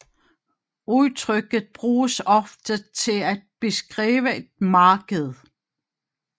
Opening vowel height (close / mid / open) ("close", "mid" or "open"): close